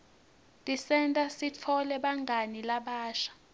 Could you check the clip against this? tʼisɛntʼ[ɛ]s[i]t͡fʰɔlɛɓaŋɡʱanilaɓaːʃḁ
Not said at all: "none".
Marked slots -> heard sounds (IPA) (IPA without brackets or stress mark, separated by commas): a, i